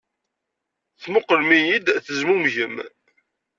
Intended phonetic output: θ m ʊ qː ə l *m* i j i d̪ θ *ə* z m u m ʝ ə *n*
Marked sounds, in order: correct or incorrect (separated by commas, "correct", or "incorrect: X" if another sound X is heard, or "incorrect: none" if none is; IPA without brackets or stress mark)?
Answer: correct, correct, incorrect: m